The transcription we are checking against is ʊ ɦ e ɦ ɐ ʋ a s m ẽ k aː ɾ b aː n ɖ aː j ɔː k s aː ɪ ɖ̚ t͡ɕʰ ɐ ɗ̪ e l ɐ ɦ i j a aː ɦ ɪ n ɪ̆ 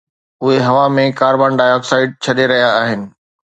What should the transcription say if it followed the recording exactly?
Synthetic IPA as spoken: ʊ ɦ e ɦ ɐ ʋ a m ẽ k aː ɾ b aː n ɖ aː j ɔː k s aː ɪ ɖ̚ t͡ɕʰ ɐ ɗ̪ e ɾ ɐ ɦ i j a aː ɦ ɪ n ɪ̆